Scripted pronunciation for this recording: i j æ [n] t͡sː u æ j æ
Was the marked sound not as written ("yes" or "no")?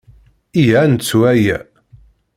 no